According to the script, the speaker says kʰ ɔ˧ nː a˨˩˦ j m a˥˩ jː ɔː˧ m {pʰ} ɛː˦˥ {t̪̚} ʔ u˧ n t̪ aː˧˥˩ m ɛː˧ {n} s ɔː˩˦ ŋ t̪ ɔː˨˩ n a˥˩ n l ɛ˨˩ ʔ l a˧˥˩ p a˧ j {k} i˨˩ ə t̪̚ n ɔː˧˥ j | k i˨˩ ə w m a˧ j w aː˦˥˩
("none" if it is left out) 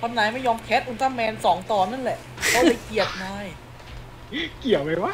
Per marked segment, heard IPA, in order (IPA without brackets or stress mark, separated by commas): kʰ, t̪̚, n, k